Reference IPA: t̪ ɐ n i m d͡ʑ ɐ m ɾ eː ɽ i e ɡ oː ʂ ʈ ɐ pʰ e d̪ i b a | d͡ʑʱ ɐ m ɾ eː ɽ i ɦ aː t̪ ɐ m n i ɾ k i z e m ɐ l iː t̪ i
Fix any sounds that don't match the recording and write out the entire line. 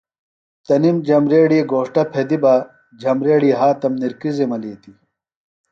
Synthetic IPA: t̪ ɐ n i m d͡ʑ ɐ m ɾ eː ɽ i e ɡ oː ʂ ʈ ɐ pʰ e d̪ i b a | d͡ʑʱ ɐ m ɾ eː ɽ i ɦ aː t̪ ɐ m n i ɾ k i z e m ɐ l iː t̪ i